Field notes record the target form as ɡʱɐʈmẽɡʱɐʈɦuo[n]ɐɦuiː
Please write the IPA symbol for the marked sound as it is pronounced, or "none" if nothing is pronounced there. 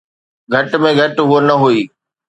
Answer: n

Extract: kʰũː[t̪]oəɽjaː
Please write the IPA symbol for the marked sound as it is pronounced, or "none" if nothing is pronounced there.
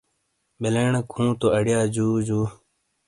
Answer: t̪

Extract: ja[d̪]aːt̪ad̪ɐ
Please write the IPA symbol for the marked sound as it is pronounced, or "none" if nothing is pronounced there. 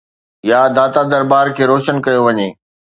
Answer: d̪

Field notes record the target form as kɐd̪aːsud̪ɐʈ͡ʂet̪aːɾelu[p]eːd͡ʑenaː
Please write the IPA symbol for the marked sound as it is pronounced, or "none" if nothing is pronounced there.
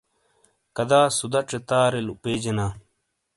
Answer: p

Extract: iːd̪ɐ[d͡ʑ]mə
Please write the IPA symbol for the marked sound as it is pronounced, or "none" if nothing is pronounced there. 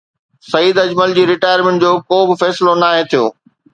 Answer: d͡ʑ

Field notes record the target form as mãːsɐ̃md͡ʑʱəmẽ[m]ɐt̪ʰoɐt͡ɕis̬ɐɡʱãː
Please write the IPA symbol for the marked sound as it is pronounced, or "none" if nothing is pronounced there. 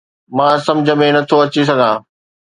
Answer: n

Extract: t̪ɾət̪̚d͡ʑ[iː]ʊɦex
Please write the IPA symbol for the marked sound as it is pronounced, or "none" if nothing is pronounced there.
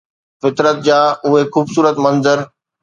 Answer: aː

